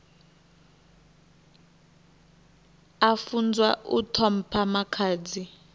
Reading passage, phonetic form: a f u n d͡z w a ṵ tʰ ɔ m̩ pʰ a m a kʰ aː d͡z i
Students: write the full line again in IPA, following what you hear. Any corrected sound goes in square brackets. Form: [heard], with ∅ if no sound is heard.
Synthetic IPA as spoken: a f u n d͡z w a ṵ tʰ ɔ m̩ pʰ a m a kʰ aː d͡z i